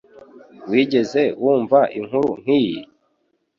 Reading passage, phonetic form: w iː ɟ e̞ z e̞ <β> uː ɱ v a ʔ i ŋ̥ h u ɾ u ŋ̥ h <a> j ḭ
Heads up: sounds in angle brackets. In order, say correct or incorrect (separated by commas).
incorrect, incorrect